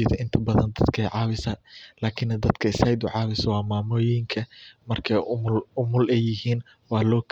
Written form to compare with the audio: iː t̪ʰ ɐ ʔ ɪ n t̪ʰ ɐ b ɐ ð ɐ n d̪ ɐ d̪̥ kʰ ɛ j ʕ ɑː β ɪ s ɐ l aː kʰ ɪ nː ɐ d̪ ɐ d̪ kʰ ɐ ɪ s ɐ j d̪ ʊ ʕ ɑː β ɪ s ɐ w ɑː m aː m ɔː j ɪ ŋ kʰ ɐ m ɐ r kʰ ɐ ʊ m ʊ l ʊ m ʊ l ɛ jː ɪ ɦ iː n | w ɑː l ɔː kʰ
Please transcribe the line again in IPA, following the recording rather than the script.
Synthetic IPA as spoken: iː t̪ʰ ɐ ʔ ɪ n t̪ʰ ɐ b ɐ ð ɐ n d̪ ɐ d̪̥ kʰ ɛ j ʕ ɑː β ɪ s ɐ l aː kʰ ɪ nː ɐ d̪ ɐ d̪ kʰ ɐ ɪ s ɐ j d̪ ʊ ʕ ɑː β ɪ s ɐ w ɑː m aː m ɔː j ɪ ŋ kʰ ɐ m ɐ r kʰ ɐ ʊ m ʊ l ʊ m ʊ l ɛ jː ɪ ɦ iː n | w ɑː l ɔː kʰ